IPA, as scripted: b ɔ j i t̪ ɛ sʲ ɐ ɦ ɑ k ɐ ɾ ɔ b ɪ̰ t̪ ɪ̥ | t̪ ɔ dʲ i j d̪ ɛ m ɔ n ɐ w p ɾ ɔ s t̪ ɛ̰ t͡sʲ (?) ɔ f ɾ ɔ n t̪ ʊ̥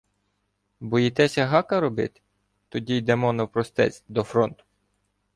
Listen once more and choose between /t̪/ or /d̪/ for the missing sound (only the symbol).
d̪